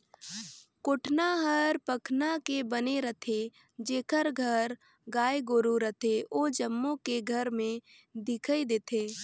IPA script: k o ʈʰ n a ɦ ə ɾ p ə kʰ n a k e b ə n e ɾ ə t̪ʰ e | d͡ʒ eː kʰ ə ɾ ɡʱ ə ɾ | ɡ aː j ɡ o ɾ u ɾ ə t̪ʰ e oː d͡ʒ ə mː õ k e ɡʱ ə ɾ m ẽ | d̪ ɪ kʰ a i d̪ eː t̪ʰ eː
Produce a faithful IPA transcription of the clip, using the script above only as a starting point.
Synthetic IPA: k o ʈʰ n a ɦ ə ɾ p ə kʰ n a k e b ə n e ɾ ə t̪ʰ e | d͡ʒ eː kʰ ə ɾ ɡʱ ə ɾ | ɡ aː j ɡ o ɾ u ɾ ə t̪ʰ e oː d͡ʒ ə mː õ k e ɡʱ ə ɾ m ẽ | d̪ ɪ kʰ ə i d̪ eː t̪ʰ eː